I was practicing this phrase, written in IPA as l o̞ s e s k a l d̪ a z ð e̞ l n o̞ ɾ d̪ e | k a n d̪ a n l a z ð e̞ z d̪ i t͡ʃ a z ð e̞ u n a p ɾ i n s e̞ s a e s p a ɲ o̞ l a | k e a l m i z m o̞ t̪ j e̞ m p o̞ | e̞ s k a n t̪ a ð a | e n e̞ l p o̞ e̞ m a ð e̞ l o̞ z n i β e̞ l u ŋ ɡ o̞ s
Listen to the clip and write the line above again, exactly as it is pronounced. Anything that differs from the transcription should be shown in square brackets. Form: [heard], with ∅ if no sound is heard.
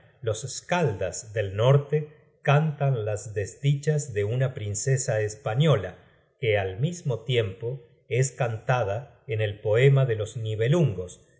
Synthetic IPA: l o̞ s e s k a l d̪ a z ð e̞ l n o̞ ɾ [t̪] e | k a n [t̪] a n l a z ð e̞ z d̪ i t͡ʃ a z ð e̞ u n a p ɾ i n s e̞ s a e s p a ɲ o̞ l a | k e a l m i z m o̞ t̪ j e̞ m p o̞ | e̞ s k a n t̪ a ð a | e n e̞ l p o̞ e̞ m a ð e̞ l o̞ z n i β e̞ l u ŋ ɡ o̞ s